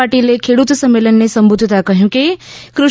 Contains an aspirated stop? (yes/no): yes